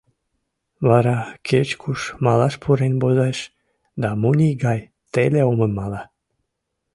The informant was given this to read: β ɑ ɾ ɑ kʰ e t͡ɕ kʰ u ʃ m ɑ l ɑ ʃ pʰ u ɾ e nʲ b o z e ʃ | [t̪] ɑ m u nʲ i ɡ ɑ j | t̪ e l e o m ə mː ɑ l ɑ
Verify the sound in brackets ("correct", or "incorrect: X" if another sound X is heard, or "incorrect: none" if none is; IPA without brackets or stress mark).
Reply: incorrect: d̪